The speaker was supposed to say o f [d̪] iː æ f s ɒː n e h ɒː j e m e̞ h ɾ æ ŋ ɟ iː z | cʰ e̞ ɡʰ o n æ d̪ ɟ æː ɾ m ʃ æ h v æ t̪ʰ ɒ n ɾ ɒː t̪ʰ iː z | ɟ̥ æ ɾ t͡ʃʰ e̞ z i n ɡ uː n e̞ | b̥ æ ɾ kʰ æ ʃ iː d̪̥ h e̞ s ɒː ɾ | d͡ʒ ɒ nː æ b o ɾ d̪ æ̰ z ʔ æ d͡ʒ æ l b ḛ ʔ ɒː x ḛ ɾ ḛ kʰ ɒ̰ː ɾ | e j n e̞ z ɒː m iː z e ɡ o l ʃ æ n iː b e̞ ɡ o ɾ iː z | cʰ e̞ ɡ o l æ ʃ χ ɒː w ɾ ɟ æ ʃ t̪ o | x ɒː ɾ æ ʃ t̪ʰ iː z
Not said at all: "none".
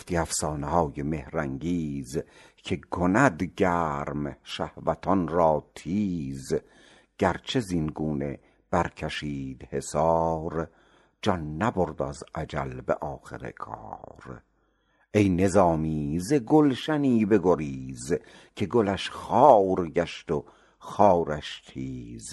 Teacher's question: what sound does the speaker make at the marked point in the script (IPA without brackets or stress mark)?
t̪